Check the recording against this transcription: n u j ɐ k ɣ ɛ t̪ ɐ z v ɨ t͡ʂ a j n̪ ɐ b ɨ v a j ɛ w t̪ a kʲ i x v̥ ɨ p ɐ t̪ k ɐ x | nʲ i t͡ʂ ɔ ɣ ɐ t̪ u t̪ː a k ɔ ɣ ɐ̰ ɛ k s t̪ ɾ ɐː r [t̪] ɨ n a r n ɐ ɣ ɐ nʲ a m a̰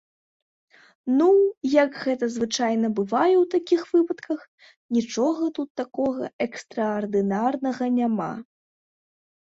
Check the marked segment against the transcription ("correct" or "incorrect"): incorrect